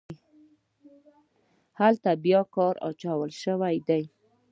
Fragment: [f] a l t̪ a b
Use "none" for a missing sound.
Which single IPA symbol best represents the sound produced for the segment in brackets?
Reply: h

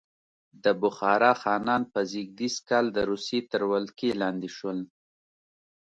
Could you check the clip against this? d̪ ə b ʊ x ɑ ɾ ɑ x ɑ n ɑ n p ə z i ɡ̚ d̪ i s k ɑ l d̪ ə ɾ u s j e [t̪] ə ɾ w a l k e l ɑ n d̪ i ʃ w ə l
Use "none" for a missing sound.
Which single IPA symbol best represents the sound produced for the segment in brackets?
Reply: t̪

